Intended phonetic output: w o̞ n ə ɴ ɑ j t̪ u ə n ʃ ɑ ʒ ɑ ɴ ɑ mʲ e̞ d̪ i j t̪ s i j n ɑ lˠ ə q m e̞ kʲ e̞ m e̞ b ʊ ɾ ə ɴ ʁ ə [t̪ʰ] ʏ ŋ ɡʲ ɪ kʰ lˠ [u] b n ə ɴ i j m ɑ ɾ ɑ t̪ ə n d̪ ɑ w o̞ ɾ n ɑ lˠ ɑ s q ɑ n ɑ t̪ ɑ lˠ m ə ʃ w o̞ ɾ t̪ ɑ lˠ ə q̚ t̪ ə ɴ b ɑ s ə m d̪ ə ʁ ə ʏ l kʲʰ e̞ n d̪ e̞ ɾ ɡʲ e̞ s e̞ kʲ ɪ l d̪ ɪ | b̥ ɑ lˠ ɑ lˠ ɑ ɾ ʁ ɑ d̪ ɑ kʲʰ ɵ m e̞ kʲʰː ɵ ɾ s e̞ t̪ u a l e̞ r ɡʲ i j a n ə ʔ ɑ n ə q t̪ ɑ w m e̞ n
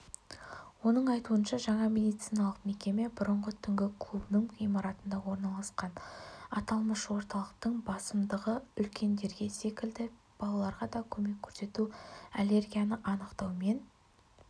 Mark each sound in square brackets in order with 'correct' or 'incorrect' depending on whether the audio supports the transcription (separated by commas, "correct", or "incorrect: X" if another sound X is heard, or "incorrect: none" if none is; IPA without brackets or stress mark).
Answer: correct, correct